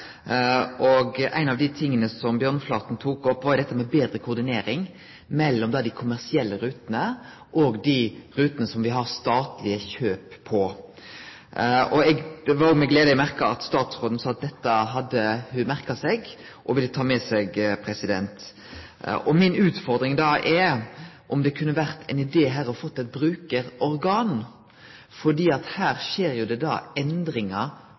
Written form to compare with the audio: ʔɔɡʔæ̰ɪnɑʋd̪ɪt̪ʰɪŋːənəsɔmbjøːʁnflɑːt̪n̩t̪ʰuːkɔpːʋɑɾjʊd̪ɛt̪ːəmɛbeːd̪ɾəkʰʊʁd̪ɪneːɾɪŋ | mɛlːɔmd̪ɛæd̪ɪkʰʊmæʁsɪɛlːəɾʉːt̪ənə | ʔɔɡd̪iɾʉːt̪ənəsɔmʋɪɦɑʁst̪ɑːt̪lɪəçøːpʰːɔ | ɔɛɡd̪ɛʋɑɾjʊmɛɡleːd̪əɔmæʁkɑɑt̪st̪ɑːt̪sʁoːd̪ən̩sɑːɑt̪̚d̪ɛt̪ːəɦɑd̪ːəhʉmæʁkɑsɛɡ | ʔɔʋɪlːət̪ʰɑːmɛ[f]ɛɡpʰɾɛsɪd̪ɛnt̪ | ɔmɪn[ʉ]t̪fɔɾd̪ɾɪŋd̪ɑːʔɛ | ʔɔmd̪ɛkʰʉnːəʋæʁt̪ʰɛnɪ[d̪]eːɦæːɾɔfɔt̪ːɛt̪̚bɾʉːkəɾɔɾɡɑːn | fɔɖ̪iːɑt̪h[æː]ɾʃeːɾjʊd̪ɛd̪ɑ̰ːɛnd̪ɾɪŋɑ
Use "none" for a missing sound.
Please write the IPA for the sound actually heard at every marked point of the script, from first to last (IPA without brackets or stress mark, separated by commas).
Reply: s, ʉː, d̪, æː